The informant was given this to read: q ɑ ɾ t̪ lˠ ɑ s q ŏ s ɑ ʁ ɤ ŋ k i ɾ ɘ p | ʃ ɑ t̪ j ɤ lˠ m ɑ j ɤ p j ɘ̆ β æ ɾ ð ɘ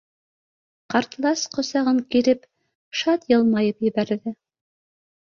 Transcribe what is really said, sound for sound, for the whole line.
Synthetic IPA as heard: q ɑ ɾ t̪ lˠ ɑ s q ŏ s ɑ ʁ ɤ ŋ k i ɾ ɘ p | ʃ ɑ t̪ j ɤ lˠ m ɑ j ɤ p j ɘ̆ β æ ɾ ð ɘ

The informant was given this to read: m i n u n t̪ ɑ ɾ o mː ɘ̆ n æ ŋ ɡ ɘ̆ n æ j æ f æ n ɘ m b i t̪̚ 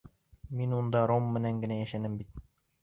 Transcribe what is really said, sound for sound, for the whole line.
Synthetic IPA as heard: m i n u n d̪ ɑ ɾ o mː ɘ̆ n æ ŋ ɡ ɘ̆ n æ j æ ʃ æ n ɘ m b i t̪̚

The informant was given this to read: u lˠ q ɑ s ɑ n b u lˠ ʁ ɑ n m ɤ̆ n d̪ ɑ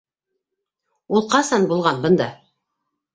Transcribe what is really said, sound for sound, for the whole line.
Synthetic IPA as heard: u lˠ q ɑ s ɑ n b u lˠ ʁ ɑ n b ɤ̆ n d̪ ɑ

